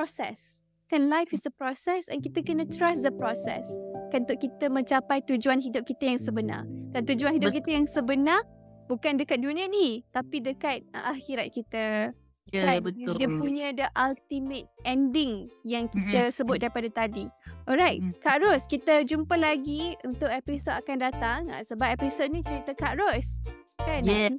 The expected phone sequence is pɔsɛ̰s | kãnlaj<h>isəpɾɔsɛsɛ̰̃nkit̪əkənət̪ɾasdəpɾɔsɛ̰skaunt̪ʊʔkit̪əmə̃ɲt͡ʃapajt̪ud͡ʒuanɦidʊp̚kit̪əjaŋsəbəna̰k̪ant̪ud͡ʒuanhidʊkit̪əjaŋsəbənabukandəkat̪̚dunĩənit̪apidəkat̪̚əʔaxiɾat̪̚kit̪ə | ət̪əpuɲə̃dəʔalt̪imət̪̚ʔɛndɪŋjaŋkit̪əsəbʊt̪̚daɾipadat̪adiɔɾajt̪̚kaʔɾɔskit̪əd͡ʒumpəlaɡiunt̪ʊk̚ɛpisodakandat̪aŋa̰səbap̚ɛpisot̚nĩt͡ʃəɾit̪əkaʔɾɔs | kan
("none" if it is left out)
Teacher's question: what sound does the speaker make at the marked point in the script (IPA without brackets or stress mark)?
f